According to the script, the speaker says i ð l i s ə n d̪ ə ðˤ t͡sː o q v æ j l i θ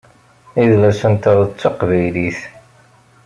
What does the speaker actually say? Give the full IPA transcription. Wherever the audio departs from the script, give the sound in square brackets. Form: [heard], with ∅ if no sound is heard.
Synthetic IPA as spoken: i ð l [æ] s ə n [t̪] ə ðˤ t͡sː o q v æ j l i θ